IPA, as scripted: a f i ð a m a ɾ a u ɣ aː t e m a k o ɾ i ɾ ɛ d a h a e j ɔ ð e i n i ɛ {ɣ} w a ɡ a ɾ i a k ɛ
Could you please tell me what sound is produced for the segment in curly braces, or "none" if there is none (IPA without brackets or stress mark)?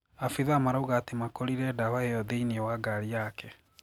none